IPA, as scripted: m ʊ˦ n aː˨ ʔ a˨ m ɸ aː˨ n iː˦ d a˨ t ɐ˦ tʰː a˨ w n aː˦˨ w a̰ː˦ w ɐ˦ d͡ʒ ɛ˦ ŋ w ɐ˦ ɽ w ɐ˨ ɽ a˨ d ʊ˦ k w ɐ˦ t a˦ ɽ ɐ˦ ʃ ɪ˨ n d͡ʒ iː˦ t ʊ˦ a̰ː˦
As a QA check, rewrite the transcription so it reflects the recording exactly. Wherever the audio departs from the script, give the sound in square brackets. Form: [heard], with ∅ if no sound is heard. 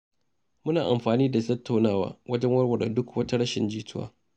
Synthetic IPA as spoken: m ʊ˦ n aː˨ ʔ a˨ m ɸ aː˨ n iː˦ d a˨ t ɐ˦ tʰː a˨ w n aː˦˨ w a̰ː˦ w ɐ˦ d͡ʒ ɛ˦ ŋ w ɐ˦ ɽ w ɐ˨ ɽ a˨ d ʊ˦ k w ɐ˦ t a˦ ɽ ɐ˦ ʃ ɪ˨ n d͡ʒ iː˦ t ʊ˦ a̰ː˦

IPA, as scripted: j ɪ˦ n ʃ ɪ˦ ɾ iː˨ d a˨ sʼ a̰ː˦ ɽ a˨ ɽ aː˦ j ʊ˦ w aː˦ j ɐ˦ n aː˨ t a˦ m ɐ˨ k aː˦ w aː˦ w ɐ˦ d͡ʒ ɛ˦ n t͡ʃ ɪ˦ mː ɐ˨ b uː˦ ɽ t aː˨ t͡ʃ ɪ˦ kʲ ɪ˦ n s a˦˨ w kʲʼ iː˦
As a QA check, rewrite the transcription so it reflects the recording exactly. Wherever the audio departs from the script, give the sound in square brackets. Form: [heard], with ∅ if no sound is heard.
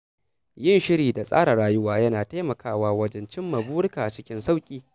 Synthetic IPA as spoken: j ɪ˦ n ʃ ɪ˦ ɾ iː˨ d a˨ sʼ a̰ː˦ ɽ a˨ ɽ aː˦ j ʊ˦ w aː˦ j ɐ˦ n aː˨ t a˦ m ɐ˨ k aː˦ w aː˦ w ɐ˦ d͡ʒ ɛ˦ n t͡ʃ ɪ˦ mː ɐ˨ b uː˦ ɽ [k] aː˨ t͡ʃ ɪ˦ kʲ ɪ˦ n s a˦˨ w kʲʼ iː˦

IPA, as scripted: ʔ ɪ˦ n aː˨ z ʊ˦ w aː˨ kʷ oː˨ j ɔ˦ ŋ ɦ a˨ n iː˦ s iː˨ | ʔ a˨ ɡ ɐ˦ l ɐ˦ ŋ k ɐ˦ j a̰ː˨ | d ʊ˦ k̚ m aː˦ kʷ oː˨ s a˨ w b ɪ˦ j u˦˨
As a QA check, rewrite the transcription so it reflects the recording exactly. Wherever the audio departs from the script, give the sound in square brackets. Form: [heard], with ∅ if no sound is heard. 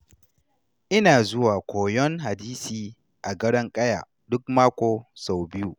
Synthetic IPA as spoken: ʔ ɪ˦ n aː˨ z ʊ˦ w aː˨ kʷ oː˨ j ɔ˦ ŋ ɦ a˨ [d] iː˦ s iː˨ | ʔ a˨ ɡ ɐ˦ [ɽ] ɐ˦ ŋ [kʼ] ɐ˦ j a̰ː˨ | d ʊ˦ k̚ m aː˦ kʷ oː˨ s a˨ w b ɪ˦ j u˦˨

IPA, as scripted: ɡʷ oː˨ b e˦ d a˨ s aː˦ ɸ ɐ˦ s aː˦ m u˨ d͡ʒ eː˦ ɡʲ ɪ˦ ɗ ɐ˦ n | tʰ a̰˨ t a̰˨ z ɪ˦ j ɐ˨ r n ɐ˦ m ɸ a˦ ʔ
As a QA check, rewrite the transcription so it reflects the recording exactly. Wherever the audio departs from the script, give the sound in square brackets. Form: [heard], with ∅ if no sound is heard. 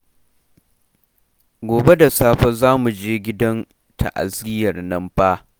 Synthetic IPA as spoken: ɡʷ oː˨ b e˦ d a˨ s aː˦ ɸ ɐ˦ [z] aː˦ m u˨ d͡ʒ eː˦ ɡʲ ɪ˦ [d] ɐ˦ n | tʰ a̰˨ [ʔ] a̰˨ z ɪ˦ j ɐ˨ r n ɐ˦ m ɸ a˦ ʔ

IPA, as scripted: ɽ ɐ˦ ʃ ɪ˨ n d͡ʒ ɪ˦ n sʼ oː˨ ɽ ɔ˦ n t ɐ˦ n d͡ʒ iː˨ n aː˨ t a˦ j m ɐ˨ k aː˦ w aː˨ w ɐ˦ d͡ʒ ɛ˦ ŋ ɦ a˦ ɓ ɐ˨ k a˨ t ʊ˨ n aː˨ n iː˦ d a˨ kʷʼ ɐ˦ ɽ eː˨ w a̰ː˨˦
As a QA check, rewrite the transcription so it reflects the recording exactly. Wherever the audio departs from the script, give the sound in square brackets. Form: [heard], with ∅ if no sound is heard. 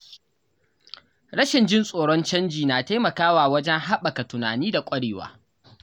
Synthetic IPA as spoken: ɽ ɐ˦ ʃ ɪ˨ n d͡ʒ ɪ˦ n sʼ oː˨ ɽ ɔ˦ n [t͡ʃ] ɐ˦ n d͡ʒ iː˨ n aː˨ t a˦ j m ɐ˨ k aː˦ w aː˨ w ɐ˦ d͡ʒ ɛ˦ ŋ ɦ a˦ ɓ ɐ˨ k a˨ t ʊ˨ n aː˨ n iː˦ d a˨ kʷʼ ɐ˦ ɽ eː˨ w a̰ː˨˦

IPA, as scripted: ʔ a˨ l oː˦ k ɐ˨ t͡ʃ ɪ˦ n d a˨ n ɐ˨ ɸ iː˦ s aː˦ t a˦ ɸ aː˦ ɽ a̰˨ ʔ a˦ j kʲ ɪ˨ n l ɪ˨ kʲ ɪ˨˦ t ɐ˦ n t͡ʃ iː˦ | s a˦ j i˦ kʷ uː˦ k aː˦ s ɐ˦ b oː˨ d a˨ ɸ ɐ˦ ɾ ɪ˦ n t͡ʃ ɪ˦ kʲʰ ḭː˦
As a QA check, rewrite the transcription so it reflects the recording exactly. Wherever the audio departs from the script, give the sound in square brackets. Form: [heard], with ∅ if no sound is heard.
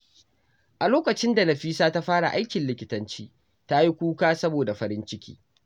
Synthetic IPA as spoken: ʔ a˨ l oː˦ k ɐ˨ t͡ʃ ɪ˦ n d a˨ n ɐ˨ ɸ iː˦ s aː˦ t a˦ ɸ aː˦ ɽ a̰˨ ʔ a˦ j kʲ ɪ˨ n l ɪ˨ kʲ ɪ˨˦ t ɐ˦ n t͡ʃ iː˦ | [t] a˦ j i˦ kʷ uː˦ k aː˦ s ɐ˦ b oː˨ d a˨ ɸ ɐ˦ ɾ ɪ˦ n t͡ʃ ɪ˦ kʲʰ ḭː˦

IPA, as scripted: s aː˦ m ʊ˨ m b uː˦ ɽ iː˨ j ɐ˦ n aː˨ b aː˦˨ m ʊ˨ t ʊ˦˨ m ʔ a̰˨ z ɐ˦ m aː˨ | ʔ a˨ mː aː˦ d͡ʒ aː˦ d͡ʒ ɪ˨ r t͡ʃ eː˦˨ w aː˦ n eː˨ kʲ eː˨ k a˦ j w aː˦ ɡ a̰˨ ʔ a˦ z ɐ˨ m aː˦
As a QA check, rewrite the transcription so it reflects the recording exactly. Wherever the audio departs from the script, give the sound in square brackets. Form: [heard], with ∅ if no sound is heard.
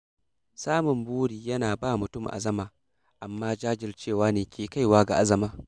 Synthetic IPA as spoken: s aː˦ m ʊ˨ m b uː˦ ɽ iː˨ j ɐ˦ n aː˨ b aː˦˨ m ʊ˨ t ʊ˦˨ m ʔ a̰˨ z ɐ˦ m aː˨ | ʔ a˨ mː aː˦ d͡ʒ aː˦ d͡ʒ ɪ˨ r t͡ʃ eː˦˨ w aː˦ n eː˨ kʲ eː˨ k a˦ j w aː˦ ɡ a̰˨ ʔ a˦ z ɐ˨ m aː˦

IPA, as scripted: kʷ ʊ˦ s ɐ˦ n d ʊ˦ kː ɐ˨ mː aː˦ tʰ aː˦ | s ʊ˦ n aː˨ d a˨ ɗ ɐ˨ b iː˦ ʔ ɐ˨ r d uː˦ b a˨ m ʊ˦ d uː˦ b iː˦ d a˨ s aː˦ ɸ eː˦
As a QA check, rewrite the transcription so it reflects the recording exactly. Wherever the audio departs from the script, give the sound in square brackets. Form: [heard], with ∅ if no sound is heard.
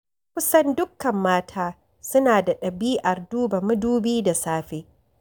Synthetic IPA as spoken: kʷ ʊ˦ s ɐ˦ n d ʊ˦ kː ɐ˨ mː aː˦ tʰ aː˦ | s ʊ˦ n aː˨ d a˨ ɗ ɐ˨ b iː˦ ʔ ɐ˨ r d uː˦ b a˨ m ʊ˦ d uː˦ b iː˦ d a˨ s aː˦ ɸ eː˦

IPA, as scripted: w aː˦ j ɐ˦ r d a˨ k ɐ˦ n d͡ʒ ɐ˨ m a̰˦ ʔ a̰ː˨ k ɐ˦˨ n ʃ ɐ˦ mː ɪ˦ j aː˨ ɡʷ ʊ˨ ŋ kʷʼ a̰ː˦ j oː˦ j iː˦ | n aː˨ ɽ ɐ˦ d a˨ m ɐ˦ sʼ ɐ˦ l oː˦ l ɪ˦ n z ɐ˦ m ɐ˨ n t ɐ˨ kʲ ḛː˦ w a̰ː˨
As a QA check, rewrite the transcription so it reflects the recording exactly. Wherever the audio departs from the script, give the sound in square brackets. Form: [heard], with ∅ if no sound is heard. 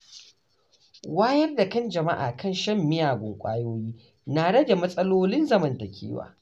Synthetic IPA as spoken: w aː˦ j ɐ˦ r d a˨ k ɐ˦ n d͡ʒ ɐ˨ m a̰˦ ʔ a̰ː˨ k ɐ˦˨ n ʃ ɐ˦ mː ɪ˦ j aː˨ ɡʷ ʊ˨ ŋ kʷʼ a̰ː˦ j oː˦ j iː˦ | n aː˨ ɽ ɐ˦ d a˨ m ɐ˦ sʼ ɐ˦ l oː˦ l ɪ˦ n z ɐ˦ m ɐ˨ n t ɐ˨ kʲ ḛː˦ w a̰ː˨

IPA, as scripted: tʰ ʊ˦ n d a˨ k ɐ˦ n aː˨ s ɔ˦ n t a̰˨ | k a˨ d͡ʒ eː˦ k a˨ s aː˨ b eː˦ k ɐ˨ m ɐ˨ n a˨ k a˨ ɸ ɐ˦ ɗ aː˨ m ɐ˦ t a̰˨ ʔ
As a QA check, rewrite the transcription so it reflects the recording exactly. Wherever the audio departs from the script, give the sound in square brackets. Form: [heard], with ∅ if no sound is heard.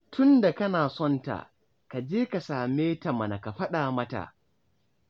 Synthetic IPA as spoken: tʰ ʊ˦ n d a˨ k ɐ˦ n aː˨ s ɔ˦ n t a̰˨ | k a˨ d͡ʒ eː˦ k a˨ s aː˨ [m] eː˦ [t] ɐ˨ m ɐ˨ n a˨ k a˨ ɸ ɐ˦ ɗ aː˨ m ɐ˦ t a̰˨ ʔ

